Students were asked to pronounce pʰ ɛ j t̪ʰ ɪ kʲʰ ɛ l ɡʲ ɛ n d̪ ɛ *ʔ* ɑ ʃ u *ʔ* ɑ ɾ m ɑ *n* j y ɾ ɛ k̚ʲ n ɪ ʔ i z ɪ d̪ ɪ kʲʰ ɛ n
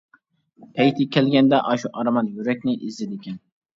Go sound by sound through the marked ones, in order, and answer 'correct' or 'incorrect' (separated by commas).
correct, correct, correct